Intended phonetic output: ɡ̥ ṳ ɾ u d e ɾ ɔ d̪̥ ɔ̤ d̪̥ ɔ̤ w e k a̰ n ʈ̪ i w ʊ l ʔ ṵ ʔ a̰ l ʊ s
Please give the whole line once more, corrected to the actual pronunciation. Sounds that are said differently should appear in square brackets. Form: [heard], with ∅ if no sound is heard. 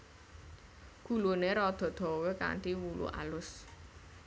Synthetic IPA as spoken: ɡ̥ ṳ [l] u [n] e ɾ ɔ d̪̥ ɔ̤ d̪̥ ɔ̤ w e k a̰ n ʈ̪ i w [u] l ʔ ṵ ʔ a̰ l ʊ s